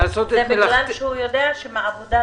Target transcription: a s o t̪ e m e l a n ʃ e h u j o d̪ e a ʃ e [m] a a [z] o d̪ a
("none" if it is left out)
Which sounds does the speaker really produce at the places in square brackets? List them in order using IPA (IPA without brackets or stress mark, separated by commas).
m, v